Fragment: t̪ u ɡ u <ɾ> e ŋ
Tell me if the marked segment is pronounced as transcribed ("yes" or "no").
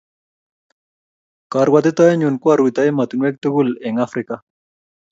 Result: no